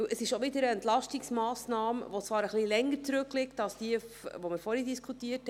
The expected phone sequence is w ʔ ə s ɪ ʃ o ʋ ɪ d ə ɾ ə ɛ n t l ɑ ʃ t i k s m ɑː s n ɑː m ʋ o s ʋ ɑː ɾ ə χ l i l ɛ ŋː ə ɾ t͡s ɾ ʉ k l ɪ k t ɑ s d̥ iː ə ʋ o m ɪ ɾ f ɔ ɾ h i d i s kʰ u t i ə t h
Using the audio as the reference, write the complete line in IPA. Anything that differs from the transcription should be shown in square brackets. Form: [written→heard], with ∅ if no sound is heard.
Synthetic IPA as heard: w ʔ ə s ɪ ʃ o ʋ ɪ d ə ɾ ə ɛ n t l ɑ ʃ t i k s m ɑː s n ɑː m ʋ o [s→t͡s] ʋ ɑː ɾ ə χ l i l ɛ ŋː ə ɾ t͡s ɾ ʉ k l ɪ k t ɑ s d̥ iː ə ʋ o m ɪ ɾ f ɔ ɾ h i d i s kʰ u t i ə t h